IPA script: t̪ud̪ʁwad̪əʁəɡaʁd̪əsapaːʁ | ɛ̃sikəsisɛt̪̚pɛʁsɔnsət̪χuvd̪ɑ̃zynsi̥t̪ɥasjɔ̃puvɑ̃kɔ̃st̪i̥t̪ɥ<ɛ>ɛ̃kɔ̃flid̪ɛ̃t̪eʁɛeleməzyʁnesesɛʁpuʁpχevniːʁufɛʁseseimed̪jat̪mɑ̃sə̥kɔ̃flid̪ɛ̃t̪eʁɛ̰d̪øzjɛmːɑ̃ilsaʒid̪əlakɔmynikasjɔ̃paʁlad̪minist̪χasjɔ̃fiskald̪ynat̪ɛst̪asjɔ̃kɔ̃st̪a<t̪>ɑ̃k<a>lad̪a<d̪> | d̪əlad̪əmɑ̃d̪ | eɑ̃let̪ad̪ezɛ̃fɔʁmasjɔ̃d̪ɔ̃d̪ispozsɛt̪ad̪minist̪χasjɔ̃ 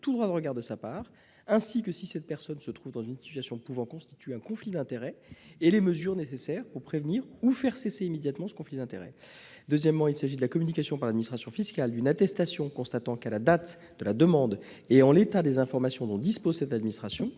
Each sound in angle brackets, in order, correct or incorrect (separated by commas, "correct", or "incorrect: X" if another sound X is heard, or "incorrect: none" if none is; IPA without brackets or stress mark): incorrect: e, correct, correct, incorrect: t̪